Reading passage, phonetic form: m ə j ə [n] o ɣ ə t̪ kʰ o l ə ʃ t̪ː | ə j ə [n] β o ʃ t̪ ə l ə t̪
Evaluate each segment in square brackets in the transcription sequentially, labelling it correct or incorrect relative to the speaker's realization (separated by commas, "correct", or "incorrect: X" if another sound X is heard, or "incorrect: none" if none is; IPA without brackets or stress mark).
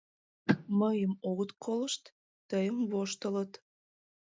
incorrect: m, incorrect: m